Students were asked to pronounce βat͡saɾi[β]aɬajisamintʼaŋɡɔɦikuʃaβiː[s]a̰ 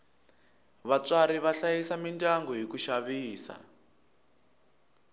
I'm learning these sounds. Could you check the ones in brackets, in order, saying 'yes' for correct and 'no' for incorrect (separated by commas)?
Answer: yes, yes